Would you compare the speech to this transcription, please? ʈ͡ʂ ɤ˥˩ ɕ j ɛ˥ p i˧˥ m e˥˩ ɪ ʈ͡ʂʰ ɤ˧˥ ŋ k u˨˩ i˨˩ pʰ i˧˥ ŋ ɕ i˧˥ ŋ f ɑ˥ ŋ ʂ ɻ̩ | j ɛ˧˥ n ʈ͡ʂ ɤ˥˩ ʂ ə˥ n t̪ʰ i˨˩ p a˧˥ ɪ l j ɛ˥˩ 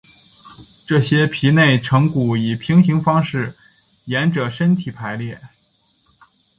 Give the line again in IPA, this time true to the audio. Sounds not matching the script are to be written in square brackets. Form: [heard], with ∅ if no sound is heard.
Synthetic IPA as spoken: ʈ͡ʂ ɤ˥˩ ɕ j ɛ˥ [pʰ] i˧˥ [n] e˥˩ ɪ ʈ͡ʂʰ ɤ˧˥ ŋ k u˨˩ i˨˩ pʰ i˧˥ ŋ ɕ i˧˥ ŋ f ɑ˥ ŋ ʂ ɻ̩ | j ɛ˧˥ n ʈ͡ʂ [ɤ˨˩] ʂ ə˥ n t̪ʰ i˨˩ [pʰ] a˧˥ ɪ l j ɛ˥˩